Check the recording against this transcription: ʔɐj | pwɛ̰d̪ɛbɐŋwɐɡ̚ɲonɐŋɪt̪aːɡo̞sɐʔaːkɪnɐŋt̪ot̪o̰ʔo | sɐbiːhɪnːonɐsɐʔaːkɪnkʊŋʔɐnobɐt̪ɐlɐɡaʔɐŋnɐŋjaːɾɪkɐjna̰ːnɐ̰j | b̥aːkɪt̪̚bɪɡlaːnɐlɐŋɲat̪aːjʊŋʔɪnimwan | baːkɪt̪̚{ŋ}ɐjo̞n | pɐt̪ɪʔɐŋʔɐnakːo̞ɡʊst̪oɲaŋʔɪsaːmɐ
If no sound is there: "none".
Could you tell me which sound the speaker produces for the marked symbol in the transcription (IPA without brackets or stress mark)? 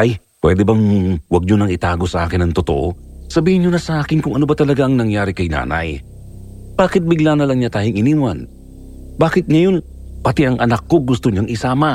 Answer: ŋ